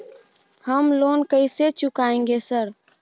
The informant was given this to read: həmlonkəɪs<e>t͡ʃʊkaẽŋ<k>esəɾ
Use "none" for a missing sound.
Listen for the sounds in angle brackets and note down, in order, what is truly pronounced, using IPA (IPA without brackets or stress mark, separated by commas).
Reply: e, ɡ